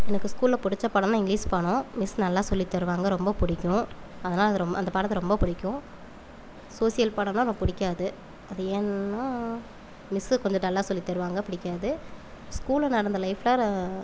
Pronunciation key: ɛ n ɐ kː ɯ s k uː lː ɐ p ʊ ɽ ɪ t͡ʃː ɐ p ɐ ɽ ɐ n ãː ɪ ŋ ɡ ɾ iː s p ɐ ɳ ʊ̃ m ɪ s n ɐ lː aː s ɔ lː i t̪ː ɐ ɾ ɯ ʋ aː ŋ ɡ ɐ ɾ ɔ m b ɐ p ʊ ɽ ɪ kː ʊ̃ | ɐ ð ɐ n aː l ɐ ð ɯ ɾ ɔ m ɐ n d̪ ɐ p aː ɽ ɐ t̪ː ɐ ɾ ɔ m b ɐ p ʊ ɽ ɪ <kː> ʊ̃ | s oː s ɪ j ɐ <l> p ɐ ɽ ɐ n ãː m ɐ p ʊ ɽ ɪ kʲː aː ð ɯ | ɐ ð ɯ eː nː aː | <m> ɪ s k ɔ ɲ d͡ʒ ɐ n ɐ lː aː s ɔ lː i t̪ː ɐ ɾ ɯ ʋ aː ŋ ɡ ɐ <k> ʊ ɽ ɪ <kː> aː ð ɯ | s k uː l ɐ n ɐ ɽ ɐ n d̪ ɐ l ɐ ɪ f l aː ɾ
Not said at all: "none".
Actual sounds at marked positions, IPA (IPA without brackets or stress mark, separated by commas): kː, l, m, p, kː